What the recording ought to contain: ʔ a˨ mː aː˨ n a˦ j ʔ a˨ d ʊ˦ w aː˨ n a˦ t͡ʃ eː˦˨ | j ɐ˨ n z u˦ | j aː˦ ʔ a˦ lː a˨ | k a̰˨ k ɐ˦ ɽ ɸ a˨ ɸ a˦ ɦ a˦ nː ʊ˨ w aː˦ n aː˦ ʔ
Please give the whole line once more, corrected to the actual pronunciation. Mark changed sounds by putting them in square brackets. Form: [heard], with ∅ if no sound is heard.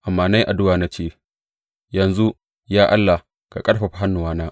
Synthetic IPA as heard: ʔ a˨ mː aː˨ n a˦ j ʔ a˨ d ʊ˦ w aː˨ n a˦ t͡ʃ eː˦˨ | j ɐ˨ n z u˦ | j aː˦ ʔ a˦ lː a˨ | k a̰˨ [kʼ] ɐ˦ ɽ ɸ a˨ ɸ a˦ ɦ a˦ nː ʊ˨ w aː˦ n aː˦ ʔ